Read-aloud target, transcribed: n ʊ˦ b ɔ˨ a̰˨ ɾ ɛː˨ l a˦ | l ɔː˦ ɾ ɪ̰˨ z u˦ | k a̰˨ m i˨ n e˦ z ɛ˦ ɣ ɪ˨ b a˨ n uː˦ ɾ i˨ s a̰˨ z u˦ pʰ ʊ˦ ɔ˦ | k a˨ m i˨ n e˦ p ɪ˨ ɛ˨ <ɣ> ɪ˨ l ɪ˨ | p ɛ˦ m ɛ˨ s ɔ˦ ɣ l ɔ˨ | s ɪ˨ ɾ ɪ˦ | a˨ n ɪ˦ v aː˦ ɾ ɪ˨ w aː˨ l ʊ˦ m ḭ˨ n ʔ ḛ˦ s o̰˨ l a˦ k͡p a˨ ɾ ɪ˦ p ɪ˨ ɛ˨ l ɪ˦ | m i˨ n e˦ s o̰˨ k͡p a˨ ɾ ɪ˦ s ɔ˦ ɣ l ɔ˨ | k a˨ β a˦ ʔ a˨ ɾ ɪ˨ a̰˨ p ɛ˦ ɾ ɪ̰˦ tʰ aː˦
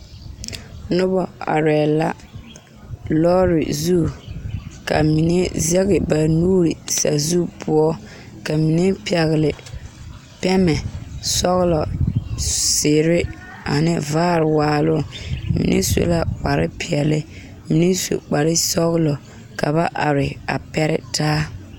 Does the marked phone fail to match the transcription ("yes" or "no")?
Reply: no